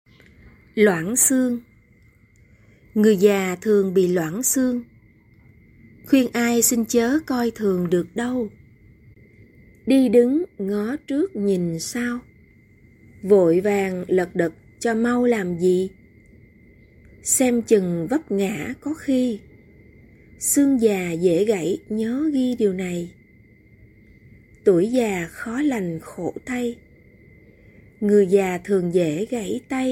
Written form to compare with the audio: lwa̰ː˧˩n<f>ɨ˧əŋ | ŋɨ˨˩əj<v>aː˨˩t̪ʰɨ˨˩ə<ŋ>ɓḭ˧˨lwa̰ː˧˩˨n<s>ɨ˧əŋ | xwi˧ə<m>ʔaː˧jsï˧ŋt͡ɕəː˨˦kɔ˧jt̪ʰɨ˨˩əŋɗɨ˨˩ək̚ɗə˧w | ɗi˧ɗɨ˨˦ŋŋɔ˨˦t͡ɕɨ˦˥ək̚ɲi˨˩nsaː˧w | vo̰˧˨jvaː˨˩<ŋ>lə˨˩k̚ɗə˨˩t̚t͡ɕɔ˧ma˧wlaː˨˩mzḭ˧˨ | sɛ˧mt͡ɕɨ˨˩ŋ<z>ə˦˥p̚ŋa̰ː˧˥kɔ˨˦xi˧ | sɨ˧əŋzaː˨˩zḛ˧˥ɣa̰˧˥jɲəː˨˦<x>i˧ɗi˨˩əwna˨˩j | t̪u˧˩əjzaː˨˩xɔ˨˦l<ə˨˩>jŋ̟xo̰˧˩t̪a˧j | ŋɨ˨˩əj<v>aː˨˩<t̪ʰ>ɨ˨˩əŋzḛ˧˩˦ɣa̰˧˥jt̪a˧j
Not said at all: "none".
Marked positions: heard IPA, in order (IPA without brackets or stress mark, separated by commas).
s, z, ŋ, s, n, ŋ, v, ɣ, a˨˩, z, t̪ʰ